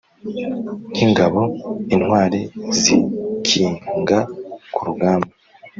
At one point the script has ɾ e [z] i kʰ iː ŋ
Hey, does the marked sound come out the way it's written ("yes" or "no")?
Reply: yes